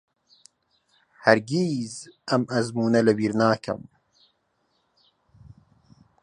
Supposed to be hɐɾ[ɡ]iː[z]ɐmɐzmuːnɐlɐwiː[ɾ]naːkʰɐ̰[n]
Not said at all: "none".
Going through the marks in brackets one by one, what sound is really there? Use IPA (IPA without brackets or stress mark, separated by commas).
ɡ, z, ɾ, m